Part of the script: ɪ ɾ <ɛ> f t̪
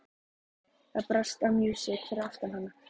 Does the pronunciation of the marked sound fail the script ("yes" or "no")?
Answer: yes